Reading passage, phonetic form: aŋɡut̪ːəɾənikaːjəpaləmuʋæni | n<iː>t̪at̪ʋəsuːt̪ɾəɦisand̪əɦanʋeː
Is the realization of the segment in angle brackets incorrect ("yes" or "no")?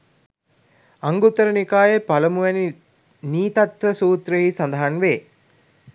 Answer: no